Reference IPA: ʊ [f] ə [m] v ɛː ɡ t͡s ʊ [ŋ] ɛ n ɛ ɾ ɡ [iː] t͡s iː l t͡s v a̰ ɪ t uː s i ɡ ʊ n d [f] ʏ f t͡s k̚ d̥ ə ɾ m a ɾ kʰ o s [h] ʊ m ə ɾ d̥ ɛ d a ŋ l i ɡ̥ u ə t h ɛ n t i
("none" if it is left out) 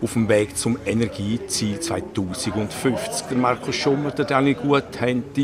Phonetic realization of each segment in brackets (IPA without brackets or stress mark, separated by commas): f, m, m, iː, f, ʃ